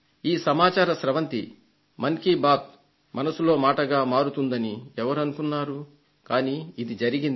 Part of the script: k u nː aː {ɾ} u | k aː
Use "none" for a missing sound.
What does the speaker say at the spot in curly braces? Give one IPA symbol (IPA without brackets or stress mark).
ɾ